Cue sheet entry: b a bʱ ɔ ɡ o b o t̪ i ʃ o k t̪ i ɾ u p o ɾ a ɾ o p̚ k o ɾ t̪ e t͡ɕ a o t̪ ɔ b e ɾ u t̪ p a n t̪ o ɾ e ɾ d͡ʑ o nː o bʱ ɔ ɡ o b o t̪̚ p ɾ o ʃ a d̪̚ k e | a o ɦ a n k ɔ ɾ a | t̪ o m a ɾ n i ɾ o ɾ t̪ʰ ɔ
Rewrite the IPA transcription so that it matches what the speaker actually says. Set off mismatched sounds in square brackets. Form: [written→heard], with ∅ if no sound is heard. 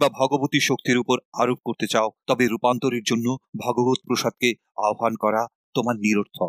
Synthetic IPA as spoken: b a bʱ ɔ ɡ o b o t̪ i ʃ o k t̪ i ɾ u p o ɾ a ɾ o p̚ k o ɾ t̪ e t͡ɕ a o t̪ ɔ b e ɾ u [t̪→∅] p a n t̪ o ɾ e ɾ d͡ʑ o nː o bʱ ɔ ɡ o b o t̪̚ p ɾ o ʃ a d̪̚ k e | a o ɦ a n k ɔ ɾ a | t̪ o m a ɾ n i ɾ o ɾ t̪ʰ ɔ